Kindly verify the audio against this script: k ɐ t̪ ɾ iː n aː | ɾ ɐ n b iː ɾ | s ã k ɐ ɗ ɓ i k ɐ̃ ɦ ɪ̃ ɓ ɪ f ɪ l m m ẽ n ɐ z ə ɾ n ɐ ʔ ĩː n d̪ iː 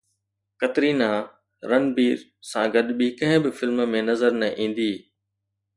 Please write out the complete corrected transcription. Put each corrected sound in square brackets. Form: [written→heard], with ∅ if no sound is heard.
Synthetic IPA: k ɐ t̪ ɾ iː n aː | ɾ ɐ n b iː ɾ | s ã [k→ɡ] ɐ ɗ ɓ i k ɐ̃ ɦ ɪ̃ [ɓ→b] ɪ f ɪ l m m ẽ n ɐ z ə ɾ n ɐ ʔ ĩː n d̪ iː